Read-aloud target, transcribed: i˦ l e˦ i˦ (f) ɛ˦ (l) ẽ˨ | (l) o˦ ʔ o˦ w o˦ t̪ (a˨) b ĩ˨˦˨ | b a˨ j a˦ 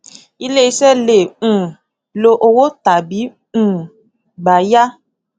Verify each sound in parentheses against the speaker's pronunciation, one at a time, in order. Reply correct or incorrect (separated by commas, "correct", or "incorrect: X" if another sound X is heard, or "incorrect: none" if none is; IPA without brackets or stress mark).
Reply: incorrect: s, correct, correct, correct